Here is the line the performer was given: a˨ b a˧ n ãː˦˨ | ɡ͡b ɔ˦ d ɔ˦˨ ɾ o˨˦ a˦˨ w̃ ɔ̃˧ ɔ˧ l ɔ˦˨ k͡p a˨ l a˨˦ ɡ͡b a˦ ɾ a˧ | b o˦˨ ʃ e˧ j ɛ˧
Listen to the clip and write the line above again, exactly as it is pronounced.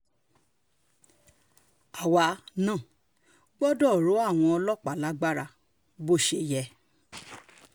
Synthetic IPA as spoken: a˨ w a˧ n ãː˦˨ | ɡ͡b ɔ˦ d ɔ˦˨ ɾ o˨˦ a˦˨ w̃ ɔ̃˧ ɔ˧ l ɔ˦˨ k͡p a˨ l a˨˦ ɡ͡b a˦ ɾ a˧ | b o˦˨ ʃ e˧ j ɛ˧

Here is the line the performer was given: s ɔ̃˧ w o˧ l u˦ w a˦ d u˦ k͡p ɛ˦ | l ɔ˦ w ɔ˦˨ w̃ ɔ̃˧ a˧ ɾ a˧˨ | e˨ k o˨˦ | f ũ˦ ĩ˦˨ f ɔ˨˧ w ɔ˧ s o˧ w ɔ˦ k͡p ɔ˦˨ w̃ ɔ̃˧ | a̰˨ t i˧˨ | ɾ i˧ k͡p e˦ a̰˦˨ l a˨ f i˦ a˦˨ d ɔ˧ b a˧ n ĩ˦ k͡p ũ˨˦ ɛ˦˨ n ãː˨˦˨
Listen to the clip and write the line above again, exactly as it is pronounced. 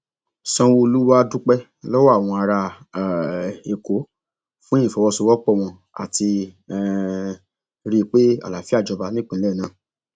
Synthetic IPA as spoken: s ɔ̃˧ w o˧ l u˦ w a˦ d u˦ k͡p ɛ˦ | l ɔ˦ w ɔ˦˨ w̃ ɔ̃˧ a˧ ɾ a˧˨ | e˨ k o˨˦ | f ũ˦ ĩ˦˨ f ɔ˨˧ w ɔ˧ s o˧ w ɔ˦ k͡p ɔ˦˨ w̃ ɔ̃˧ | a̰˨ t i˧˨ | ɾ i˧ k͡p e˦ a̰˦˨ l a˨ f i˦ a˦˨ d͡ʒ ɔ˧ b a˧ n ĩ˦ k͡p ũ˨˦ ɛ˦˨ n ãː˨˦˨

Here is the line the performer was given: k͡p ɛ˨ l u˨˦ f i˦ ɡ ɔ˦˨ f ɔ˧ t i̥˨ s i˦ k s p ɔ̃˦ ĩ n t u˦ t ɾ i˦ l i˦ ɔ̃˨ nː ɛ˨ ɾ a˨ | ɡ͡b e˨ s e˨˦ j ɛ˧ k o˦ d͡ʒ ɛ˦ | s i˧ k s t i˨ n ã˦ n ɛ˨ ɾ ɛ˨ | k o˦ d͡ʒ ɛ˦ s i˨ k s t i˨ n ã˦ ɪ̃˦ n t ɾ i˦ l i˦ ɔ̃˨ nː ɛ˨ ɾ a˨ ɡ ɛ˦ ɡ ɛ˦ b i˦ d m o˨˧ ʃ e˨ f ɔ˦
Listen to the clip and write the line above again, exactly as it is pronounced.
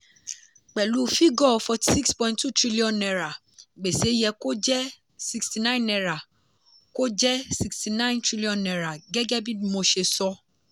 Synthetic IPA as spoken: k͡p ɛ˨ l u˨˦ f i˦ ɡ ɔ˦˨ f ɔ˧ t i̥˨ s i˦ k s p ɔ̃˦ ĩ n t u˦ t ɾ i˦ l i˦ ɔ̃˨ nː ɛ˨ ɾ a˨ | ɡ͡b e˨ s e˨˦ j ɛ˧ k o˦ d͡ʒ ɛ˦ | s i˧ k s t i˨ n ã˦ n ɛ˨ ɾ a˨ | k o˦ d͡ʒ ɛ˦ s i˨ k s t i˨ n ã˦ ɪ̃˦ n t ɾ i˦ l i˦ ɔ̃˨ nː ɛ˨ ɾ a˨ ɡ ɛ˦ ɡ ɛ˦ b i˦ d m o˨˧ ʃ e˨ s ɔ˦

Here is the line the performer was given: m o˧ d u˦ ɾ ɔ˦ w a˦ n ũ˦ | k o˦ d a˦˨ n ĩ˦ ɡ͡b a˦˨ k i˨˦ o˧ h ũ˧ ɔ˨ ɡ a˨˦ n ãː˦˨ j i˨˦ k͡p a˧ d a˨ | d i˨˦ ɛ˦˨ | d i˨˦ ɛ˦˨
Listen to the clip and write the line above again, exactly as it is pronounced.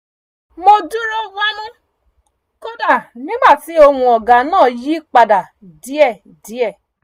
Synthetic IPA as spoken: m o˧ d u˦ ɾ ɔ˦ w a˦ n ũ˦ | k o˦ d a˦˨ n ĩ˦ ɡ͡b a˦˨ t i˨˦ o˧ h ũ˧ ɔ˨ ɡ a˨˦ n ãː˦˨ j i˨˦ k͡p a˧ d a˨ | d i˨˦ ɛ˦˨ | d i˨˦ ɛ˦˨

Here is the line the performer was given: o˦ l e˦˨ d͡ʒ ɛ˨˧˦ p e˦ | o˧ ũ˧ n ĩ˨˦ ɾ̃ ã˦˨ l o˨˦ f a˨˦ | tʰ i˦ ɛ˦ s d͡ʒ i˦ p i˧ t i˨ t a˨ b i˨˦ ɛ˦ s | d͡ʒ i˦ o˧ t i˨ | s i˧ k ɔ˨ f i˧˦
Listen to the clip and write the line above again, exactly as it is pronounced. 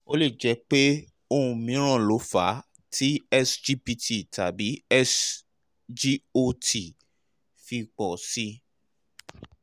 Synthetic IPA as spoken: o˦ l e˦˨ d͡ʒ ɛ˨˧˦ k͡p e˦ | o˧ ũ˧ m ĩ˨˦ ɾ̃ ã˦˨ l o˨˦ f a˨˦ | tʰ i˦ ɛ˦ s d͡ʒ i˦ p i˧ t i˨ t a˨ b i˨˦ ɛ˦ s | d͡ʒ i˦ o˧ t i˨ | f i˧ k͡p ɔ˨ s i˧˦

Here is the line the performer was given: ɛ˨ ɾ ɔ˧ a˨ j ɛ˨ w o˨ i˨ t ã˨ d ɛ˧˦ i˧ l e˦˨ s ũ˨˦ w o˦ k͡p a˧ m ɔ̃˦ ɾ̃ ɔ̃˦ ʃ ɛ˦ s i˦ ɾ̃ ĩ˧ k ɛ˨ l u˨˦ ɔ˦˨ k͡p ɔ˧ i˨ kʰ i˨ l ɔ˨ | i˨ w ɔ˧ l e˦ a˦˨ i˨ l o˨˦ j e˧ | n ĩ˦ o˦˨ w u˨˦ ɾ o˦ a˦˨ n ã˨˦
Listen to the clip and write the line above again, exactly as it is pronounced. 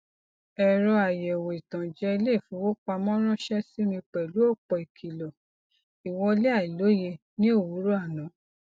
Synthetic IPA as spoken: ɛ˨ ɾ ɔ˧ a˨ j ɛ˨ w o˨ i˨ t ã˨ d͡ʒ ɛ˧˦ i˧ l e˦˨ f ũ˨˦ w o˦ k͡p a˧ m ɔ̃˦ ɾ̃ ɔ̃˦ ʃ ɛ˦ s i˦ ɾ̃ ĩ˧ k͡p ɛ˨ l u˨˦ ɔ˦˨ k͡p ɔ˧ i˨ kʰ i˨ l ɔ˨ | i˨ w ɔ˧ l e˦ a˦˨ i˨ l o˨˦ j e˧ | n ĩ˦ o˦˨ w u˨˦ ɾ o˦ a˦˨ n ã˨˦

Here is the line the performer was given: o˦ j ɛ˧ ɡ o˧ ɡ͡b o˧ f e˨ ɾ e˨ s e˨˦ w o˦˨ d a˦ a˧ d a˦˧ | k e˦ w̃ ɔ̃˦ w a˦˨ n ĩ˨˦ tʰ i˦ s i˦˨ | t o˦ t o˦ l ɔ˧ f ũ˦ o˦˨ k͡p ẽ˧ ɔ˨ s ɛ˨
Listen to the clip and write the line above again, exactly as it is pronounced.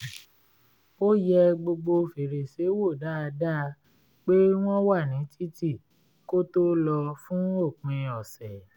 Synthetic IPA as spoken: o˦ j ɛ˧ ɡ͡b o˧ ɡ͡b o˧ f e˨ ɾ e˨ s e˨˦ w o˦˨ d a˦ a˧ d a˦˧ | k͡p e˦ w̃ ɔ̃˦ w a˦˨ n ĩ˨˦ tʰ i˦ t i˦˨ | k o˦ t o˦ l ɔ˧ f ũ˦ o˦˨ k͡p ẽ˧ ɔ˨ s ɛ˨

